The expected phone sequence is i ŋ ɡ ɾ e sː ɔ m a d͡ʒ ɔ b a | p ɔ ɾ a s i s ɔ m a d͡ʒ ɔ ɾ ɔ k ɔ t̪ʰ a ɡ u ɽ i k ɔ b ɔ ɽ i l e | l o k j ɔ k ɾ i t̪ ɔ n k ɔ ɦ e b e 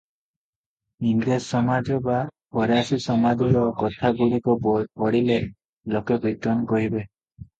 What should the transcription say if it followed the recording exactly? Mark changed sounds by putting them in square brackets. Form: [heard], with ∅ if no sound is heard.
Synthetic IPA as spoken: i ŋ ɡ ɾ e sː ɔ m a d͡ʒ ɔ b a | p ɔ ɾ a s i s ɔ m a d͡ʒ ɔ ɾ ɔ k ɔ t̪ʰ a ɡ u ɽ i k ɔ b ɔ ɽ i l e | l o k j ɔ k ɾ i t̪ ɔ n k ɔ ɦ [i] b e